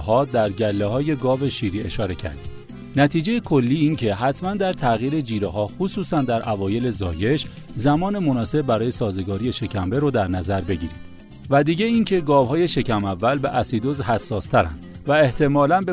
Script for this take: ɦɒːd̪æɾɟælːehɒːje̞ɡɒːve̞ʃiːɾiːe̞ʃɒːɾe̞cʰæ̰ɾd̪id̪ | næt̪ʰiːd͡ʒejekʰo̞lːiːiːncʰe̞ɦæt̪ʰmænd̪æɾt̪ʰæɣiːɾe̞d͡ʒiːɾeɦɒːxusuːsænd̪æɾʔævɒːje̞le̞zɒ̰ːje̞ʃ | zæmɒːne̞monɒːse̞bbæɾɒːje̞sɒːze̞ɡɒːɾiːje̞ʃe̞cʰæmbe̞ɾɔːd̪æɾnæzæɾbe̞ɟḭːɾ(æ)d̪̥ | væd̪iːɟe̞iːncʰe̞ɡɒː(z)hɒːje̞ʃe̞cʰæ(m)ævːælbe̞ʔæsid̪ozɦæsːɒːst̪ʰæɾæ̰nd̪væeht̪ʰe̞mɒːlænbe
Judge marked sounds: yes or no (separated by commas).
no, no, yes